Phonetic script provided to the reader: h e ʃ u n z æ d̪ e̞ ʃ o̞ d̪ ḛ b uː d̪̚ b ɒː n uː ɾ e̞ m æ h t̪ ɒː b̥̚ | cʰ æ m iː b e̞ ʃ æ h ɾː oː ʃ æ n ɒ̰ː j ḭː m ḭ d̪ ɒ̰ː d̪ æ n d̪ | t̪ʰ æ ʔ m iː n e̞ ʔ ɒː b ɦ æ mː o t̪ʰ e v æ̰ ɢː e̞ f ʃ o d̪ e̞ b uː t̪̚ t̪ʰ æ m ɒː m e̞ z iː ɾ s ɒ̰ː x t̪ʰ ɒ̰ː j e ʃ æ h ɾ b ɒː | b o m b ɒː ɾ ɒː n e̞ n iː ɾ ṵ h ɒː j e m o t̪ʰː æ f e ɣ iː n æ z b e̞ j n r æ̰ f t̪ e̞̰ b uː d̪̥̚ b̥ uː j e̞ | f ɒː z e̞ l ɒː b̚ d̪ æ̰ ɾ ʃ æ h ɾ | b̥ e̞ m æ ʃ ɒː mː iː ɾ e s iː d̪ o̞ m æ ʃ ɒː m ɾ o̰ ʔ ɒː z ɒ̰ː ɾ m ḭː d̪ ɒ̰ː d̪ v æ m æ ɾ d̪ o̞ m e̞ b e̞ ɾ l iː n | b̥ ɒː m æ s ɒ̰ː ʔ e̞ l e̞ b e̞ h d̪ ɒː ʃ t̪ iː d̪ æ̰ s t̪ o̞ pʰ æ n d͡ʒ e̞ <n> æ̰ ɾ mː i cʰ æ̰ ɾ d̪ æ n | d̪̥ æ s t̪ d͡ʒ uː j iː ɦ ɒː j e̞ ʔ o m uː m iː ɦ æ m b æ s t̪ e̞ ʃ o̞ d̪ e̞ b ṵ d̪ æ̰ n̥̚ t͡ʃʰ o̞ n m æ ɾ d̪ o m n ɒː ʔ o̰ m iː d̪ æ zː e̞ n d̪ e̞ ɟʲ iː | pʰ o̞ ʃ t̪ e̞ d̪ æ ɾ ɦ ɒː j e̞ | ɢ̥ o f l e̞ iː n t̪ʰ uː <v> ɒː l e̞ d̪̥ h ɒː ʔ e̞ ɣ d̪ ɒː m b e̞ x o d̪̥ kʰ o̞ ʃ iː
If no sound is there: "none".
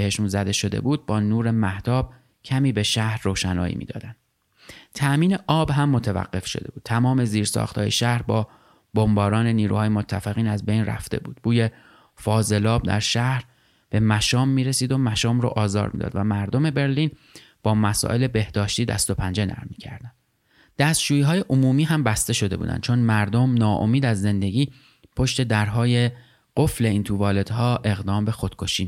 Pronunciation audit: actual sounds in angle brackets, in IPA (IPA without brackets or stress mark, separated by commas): n, v